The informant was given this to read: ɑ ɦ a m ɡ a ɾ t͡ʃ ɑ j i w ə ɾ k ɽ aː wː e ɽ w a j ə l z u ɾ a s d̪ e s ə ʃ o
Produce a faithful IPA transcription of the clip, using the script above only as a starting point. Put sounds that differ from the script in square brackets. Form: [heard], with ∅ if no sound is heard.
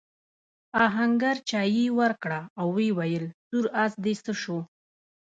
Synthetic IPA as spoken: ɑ ɦ a [ŋ] ɡ a ɾ t͡ʃ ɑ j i w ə ɾ k ɽ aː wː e [∅] w a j ə l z u ɾ a s d̪ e s ə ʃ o

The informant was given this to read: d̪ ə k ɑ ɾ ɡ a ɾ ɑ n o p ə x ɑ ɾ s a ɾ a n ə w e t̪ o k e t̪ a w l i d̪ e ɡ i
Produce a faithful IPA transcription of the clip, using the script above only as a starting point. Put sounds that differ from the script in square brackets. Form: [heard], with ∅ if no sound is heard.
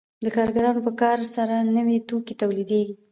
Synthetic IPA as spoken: d̪ ə k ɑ ɾ ɡ a ɾ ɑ n o p ə [k] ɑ ɾ s a ɾ a n ə w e t̪ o k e t̪ a w l i d̪ e ɡ i

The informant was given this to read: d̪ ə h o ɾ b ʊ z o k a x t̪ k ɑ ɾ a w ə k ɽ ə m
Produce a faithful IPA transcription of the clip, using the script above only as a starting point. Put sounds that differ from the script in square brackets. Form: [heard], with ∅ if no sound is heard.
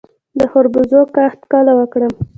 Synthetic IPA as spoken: d̪ ə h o ɾ b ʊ z o k a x t̪ k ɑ [l] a w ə k ɽ ə m

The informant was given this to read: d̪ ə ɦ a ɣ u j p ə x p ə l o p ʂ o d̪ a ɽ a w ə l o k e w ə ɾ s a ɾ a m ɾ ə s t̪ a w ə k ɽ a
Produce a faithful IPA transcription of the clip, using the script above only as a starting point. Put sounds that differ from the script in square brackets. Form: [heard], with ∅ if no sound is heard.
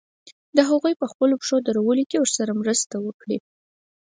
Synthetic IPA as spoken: d̪ ə ɦ a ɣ u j p ə x p ə l o p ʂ o d̪ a [ɾ] a w ə l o k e w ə ɾ s a ɾ a m ɾ ə s t̪ a w ə k ɽ [i]

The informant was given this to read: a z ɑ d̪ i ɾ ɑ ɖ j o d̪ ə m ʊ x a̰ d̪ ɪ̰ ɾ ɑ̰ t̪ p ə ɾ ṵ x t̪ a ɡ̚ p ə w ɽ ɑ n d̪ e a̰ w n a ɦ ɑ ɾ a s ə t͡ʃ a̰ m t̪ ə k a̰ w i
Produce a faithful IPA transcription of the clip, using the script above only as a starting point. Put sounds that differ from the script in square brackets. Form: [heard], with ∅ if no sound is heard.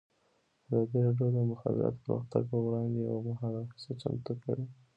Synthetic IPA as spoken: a z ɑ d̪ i ɾ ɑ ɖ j o d̪ ə m ʊ x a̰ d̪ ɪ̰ ɾ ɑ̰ t̪ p ə ɾ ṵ x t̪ a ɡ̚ p ə w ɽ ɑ n d̪ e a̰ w [m] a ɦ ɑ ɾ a s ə t͡ʃ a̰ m t̪ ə k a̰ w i

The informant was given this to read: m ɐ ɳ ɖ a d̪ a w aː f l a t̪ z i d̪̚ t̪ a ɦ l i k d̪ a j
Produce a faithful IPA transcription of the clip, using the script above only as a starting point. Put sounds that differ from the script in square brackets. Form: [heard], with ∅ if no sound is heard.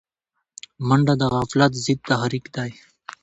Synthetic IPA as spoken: m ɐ ɳ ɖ a d̪ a [ɣ] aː f l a t̪ z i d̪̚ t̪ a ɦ [ɾ] i k d̪ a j

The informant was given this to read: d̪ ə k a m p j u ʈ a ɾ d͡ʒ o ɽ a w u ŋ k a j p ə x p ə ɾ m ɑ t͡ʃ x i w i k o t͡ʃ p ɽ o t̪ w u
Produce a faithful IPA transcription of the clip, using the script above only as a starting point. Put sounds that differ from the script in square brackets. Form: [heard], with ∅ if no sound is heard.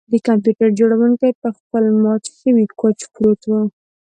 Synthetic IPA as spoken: d̪ ə k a m p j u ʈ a ɾ d͡ʒ o ɽ a w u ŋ k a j p ə x p ə [l] m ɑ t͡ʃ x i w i k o t͡ʃ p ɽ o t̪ w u

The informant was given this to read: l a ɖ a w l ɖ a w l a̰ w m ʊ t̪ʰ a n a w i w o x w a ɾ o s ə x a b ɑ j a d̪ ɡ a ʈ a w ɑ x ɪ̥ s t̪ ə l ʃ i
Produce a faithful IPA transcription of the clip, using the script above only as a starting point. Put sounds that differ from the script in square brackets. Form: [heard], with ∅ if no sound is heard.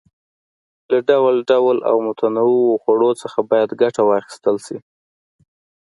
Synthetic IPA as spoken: l a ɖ a w l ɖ a w l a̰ w m ʊ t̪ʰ a n a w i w o x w a [ɽ] o [t͡s] ə x a b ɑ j a d̪ ɡ a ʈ a w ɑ x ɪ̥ s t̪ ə l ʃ i

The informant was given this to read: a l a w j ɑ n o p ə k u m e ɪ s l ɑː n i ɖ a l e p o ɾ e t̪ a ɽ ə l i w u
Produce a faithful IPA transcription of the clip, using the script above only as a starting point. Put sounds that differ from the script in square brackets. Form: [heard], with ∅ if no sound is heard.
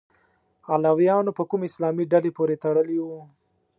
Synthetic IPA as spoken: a l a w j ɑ n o p ə k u m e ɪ s l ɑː [m] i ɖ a l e p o ɾ e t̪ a ɽ ə l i w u

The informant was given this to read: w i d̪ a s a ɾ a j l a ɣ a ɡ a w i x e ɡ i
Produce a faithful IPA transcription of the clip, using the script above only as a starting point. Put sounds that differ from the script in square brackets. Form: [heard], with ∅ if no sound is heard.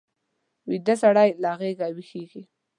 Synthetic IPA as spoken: w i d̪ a s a [ɽ] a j l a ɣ [e] ɡ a w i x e ɡ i

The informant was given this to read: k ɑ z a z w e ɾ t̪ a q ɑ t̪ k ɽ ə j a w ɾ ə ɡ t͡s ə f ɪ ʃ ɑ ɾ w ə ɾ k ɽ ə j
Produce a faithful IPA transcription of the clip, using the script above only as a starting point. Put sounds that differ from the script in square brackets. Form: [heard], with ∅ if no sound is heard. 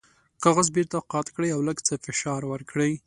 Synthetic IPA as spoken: k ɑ [ɣ] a z [b] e ɾ t̪ a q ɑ t̪ k ɽ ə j a w [l] ə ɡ t͡s ə f ɪ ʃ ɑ ɾ w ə ɾ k ɽ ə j

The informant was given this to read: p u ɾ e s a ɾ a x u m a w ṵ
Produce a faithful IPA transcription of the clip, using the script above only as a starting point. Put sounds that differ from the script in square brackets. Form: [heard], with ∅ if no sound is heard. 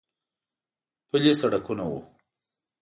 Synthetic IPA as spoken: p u [l] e s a [ɽ] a [k] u [n] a w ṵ

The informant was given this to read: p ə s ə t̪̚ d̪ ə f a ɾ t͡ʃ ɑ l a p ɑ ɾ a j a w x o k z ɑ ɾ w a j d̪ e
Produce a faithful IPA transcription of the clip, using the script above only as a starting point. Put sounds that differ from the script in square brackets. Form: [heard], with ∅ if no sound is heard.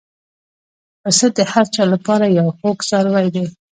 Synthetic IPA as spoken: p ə s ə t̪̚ d̪ ə [h] a ɾ t͡ʃ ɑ l a p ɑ ɾ a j a w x o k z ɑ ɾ w a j d̪ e

